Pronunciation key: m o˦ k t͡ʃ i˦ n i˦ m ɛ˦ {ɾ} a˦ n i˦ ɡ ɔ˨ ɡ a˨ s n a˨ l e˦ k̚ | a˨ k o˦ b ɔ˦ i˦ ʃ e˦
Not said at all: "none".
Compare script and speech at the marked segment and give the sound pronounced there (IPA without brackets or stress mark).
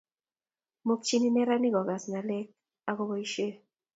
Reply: ɾ